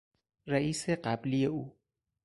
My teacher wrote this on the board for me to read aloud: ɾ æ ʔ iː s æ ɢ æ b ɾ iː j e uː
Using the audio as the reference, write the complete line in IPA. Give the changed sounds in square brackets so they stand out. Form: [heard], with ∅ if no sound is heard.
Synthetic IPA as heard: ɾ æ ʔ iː s [e] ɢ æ b [l] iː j e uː